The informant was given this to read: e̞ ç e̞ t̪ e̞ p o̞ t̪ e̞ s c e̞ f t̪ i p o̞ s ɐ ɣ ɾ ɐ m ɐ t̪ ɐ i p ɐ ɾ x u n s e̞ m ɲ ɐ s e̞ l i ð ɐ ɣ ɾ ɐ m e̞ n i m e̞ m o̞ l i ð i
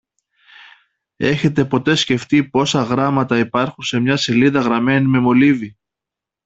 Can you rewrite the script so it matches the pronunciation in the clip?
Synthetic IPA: e̞ ç e̞ t̪ e̞ p o̞ t̪ e̞ s c e̞ f t̪ i p o̞ s ɐ ɣ ɾ ɐ m ɐ t̪ ɐ i p ɐ ɾ x u n s e̞ m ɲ ɐ s e̞ l i ð ɐ ɣ ɾ ɐ m e̞ n i m e̞ m o̞ l i v i